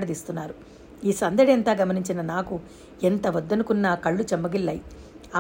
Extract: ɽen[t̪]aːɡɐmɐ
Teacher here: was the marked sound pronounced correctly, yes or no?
yes